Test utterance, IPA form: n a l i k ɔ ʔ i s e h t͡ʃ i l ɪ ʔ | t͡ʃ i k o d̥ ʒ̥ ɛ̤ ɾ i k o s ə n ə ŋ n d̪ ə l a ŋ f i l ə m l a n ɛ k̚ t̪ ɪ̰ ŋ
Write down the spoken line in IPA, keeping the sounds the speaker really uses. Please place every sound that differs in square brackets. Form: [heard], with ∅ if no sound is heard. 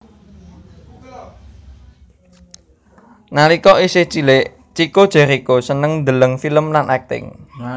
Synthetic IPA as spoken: n a l i k ɔ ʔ i s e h t͡ʃ i l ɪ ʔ | t͡ʃ i k o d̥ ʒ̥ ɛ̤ ɾ i k o s ə n ə ŋ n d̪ ə l [ə] ŋ f i l ə m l a n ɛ k̚ t̪ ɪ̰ ŋ